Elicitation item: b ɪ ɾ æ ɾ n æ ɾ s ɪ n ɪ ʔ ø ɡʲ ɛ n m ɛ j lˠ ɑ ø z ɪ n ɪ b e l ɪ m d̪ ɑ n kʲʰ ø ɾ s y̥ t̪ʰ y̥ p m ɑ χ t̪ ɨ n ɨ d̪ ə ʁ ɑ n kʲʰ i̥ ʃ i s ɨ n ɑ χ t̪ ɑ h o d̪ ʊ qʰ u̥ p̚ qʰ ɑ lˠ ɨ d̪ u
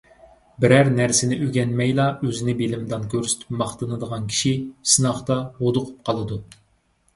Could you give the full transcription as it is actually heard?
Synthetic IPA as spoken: b ɪ ɾ æ ɾ n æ ɾ s ɪ n ɪ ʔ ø ɡʲ ɛ n m ɛ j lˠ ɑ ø z ɪ n ɪ b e l ɪ m d̪ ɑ n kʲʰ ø ɾ s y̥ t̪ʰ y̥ p m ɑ χ t̪ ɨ n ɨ d̪ ə ʁ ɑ n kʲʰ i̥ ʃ i s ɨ n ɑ χ t̪ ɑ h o d̪ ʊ qʰ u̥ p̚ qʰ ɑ lˠ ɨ d̪ u